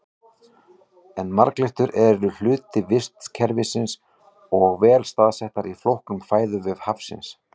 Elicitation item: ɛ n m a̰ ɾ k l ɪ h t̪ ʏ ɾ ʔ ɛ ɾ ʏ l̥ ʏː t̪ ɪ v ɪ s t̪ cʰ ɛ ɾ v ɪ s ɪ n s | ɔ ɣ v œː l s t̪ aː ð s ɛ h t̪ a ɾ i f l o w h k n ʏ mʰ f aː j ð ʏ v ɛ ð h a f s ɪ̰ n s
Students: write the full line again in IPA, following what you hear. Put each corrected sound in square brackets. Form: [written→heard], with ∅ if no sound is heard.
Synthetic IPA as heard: ɛ n m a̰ ɾ k l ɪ h t̪ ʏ ɾ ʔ ɛ ɾ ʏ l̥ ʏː t̪ ɪ v ɪ s t̪ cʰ ɛ ɾ v ɪ s ɪ n s | ɔ ɣ v [œː→ɛː] l s t̪ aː ð s ɛ h t̪ a ɾ i f l o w h k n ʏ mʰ f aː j ð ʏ v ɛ ð h a f s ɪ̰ n s